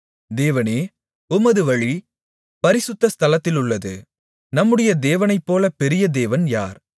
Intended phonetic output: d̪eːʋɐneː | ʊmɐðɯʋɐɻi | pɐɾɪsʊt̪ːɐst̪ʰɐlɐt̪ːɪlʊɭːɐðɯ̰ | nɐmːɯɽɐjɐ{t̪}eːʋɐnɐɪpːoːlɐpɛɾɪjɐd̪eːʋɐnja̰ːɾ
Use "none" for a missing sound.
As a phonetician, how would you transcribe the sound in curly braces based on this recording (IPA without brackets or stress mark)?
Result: d̪